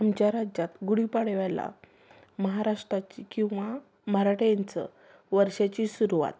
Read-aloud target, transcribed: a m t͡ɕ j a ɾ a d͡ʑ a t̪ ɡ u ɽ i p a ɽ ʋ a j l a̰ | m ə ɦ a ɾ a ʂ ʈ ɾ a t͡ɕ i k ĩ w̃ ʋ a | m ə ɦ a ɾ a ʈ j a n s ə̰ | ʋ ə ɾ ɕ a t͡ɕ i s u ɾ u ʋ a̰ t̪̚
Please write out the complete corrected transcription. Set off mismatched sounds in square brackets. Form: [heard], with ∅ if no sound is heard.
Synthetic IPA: a m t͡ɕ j a ɾ a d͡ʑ a t̪ ɡ u ɽ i p a ɽ ʋ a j l a̰ | m ə ɦ a ɾ a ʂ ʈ ɾ a t͡ɕ i k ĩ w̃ ʋ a | m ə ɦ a ɾ a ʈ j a n [t͡s] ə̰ | ʋ ə ɾ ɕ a t͡ɕ i s u ɾ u ʋ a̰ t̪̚